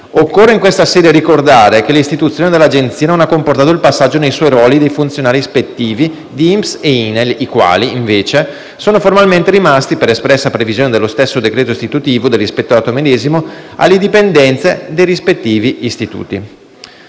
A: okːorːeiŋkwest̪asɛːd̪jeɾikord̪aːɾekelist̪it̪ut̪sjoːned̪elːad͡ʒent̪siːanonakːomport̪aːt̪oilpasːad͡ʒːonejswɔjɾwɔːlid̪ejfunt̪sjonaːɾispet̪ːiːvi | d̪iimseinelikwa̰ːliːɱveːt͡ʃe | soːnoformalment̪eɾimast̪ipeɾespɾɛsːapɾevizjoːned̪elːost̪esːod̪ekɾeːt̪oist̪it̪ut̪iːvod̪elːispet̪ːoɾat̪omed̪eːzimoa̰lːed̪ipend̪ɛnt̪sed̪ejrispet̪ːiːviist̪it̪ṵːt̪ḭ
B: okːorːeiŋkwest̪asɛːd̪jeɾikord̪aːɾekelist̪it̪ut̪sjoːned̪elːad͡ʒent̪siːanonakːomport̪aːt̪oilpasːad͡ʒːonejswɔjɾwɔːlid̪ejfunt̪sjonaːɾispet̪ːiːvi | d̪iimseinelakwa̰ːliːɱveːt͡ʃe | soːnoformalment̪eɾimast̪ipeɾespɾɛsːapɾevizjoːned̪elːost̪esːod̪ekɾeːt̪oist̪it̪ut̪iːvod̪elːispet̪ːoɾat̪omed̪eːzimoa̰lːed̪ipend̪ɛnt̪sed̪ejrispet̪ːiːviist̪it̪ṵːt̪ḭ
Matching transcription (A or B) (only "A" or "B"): A